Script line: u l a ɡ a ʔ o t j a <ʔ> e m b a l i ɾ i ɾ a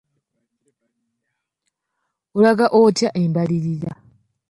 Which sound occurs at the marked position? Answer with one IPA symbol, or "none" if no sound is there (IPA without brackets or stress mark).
ʔ